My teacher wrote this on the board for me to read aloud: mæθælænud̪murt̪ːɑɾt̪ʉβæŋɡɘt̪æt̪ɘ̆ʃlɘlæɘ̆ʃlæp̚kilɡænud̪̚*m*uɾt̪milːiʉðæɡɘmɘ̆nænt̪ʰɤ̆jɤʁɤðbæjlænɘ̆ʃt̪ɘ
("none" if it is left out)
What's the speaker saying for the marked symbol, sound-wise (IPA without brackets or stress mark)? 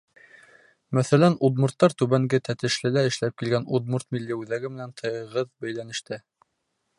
m